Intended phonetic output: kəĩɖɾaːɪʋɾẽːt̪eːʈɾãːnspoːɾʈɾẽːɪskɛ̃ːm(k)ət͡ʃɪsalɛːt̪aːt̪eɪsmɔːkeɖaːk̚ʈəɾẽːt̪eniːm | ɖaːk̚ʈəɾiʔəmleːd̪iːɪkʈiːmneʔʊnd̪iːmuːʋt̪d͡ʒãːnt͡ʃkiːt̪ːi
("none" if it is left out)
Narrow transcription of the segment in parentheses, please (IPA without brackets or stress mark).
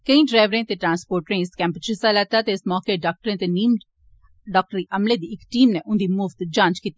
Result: p